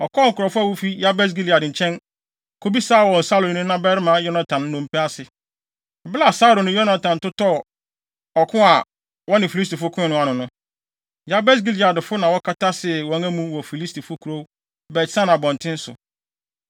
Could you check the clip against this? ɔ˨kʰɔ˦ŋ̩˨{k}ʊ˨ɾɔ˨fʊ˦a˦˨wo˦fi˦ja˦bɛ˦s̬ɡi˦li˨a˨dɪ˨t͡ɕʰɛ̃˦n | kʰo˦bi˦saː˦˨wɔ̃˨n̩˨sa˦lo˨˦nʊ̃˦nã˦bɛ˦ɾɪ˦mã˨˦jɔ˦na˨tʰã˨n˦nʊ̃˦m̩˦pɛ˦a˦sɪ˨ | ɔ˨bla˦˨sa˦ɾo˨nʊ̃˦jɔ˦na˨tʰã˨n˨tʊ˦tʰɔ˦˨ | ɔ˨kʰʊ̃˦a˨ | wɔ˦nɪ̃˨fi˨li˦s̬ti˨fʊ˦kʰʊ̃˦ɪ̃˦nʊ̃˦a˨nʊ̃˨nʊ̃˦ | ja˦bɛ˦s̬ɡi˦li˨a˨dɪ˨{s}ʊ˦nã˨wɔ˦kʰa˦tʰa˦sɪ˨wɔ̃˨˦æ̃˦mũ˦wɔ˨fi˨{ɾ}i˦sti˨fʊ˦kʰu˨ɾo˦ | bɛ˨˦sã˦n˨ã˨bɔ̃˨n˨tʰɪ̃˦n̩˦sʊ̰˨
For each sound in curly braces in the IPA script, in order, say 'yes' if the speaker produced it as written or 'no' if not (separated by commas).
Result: yes, no, no